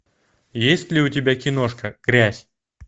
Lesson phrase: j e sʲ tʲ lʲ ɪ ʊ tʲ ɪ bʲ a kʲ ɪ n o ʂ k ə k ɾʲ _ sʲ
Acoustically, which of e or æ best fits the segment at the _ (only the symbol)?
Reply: æ